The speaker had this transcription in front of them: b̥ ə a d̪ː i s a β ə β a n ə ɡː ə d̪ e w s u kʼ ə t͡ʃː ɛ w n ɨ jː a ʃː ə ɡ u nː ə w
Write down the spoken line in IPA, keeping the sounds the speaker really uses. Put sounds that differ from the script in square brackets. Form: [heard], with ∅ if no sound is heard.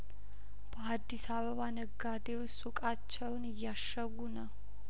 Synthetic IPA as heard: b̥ ə a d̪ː i s a β ə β a n ə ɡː [a] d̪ e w s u kʼ [a] t͡ʃː ɛ w n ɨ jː a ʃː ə ɡ u [n] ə w